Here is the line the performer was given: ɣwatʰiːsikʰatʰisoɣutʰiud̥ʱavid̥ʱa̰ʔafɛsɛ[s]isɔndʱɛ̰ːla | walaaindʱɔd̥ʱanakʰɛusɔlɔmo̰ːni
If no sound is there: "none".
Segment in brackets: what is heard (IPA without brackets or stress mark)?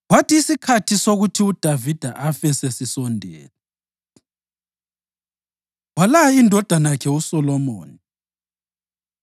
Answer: s